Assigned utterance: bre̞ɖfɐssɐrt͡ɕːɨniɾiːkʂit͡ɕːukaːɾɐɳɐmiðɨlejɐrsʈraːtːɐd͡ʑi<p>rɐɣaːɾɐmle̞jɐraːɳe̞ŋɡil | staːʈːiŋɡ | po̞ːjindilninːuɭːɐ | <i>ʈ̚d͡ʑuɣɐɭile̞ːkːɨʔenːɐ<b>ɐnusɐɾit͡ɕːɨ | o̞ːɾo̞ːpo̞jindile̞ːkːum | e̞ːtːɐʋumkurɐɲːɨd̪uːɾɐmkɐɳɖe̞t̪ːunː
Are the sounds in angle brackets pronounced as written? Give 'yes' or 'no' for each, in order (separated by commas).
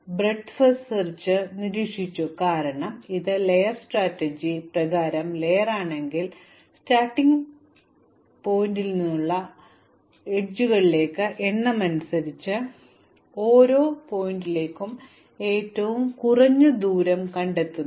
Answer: yes, no, no